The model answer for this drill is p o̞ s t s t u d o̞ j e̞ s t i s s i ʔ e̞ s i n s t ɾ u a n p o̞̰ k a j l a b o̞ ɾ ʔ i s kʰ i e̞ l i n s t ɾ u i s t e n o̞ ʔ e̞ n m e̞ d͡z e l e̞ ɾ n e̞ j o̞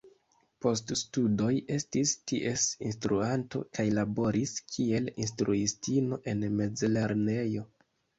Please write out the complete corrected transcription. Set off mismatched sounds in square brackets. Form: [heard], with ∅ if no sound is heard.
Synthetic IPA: p o̞ s t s t u d o̞ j e̞ s t i s [t] i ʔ e̞ s i n s t ɾ u a n [t] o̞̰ k a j l a b o̞ ɾ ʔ i s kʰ i e̞ l i n s t ɾ u i s t [i] n o̞ ʔ e̞ n m e̞ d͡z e l e̞ ɾ n e̞ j o̞

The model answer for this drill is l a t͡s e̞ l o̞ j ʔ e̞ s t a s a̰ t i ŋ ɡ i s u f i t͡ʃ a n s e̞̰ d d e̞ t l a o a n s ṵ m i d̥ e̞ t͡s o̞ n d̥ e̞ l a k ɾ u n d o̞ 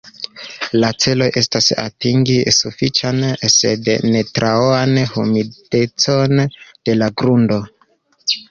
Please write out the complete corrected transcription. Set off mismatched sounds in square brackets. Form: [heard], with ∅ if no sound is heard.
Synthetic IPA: l a t͡s e̞ l o̞ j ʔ e̞ s t a s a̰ t i ŋ ɡ i s u f i t͡ʃ a n s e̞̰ d [n] e̞ t [ɾ] a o a n [h] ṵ m i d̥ e̞ t͡s o̞ n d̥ e̞ l a [ɡ] ɾ u n d o̞

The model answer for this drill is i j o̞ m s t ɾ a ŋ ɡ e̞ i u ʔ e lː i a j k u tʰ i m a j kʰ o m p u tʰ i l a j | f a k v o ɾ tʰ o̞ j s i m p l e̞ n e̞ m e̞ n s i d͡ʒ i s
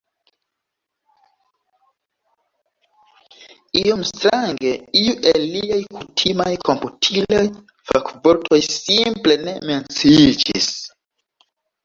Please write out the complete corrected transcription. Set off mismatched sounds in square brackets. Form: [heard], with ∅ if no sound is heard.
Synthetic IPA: i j o̞ m s t ɾ a ŋ ɡ e̞ i u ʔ e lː i a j k u tʰ i m a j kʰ o m p u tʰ i l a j | f a k v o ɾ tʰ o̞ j s i m p l e̞ n e̞ m e̞ n [t͡s] i d͡ʒ i s

